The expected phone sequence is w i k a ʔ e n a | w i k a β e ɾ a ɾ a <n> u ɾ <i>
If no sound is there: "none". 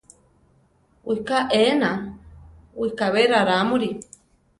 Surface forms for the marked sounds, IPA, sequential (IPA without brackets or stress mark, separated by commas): m, i